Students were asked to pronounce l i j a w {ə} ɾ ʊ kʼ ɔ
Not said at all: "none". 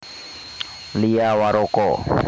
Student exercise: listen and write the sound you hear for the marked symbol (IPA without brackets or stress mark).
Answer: a